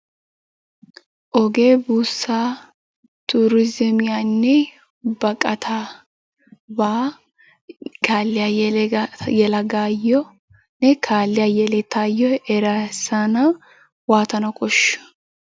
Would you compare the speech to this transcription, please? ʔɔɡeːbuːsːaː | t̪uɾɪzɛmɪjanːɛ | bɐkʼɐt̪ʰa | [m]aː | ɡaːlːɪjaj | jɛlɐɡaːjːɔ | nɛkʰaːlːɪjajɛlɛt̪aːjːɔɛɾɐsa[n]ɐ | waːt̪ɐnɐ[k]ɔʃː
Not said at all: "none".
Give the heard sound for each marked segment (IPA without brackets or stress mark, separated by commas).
b, n, kʼ